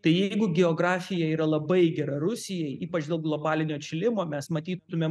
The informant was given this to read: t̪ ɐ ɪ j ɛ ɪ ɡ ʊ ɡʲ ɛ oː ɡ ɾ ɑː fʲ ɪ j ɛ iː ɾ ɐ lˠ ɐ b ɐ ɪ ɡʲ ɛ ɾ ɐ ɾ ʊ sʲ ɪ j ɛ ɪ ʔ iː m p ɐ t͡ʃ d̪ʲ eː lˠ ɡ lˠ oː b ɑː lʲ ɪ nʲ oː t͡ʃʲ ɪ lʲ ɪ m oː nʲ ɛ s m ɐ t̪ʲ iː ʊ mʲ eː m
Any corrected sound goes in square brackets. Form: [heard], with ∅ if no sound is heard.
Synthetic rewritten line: t̪ ɐ ɪ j ɛ ɪ ɡ ʊ ɡʲ ɛ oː ɡ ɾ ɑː fʲ ɪ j ɛ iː ɾ ɐ lˠ ɐ b ɐ ɪ ɡʲ ɛ ɾ ɐ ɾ ʊ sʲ ɪ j ɛ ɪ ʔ iː [∅] p ɐ t͡ʃ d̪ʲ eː lˠ ɡ lˠ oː b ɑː lʲ ɪ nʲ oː t͡ʃʲ ɪ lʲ ɪ m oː [mʲ] ɛ s m ɐ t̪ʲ iː ʊ mʲ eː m